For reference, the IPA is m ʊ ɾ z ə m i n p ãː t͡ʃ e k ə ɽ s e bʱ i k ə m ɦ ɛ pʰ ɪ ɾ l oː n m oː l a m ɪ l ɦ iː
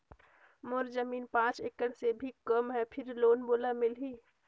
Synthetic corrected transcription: m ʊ ɾ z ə m iː n p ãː t͡ʃ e k ə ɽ s e bʱ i k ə m ɦ ɛ pʰ ɪ ɾ l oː n b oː l a m ɪ l ɦ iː

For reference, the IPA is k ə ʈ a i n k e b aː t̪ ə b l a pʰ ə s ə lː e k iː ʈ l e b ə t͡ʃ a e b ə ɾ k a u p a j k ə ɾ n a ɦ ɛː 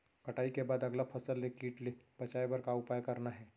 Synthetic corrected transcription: k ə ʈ a i k e b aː d̪ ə ɡ l a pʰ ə s ə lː e k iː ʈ l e b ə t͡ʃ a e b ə ɾ k a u p a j k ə ɾ n a ɦ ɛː

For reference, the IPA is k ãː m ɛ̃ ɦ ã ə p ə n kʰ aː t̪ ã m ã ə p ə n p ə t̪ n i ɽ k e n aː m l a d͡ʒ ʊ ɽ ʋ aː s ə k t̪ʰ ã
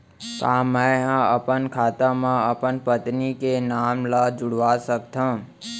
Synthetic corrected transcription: k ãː m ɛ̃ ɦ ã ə p ə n kʰ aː t̪ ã m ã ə p ə n p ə t̪ n i k e n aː m l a d͡ʒ ʊ ɽ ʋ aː s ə k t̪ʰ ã

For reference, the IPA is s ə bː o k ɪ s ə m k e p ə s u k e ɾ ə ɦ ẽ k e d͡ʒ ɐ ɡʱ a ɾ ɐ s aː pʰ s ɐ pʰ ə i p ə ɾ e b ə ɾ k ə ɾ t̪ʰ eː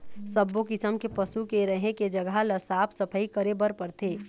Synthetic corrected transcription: s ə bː o k ɪ s ə m k e p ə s u k e ɾ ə ɦ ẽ k e d͡ʒ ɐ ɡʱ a l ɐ s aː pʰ s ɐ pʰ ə i k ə ɾ e b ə ɾ p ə ɾ t̪ʰ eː

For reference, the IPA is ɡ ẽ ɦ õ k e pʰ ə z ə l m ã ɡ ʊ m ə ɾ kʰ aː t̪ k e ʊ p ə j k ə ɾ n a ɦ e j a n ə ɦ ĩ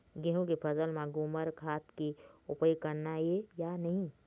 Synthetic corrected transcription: ɡ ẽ ɦ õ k e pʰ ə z ə l m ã ɡ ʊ m ə ɾ kʰ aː t̪ k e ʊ p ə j k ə ɾ n a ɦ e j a n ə ɦ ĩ

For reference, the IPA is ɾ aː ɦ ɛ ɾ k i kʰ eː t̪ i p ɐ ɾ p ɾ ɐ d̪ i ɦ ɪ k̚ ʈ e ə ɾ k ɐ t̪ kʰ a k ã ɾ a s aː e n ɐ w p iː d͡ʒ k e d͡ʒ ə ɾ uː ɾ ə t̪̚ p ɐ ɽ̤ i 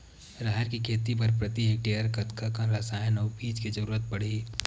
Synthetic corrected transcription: ɾ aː ɦ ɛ ɾ k i kʰ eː t̪ i p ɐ ɾ p ɾ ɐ t̪ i ɦ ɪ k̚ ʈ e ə ɾ k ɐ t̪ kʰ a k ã ɾ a s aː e n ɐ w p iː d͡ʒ k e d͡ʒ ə ɾ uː ɾ ə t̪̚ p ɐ ɽ̤ i

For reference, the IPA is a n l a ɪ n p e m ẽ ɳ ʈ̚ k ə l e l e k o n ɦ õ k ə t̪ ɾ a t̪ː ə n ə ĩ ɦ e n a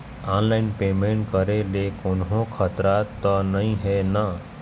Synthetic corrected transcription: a n l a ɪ n p e m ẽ ɳ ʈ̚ k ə ɾ e l e k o n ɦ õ kʰ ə t̪ ɾ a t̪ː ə n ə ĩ ɦ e n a

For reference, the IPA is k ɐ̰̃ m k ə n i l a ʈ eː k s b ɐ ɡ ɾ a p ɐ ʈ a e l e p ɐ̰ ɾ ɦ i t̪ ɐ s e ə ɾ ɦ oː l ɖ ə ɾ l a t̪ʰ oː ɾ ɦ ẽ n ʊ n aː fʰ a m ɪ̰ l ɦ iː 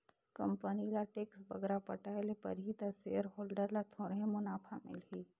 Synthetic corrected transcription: k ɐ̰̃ m p ə n i l a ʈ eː k s b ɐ ɡ ɾ a p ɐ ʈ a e l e p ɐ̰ ɾ ɦ i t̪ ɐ s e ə ɾ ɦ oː l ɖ ə ɾ l a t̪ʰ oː ɾ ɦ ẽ m ʊ n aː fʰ a m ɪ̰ l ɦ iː

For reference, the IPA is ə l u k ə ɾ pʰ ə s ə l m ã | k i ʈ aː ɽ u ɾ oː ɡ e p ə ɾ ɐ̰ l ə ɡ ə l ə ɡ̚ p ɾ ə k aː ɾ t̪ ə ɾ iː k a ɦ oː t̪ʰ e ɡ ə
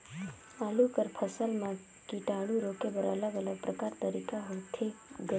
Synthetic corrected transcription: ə l u k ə ɾ pʰ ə s ə l m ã | k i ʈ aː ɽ u ɾ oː k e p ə ɾ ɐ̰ l ə ɡ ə l ə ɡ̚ p ɾ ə k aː ɾ t̪ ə ɾ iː k a ɦ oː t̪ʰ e ɡ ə

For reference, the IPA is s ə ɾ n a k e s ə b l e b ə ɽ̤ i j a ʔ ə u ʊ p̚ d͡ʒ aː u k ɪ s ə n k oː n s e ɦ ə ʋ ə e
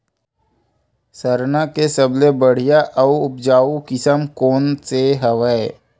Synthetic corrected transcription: s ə ɾ n a k e s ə b l e b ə ɽ̤ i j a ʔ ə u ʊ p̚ d͡ʒ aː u k ɪ s ə m k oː n s e ɦ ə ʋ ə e

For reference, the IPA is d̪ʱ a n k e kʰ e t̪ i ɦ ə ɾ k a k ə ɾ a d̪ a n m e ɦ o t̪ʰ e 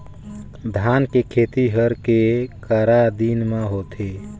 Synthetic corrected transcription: d̪ʱ a n k e kʰ e t̪ i ɦ ə ɾ k e k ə ɾ a d̪ i n m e ɦ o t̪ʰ e

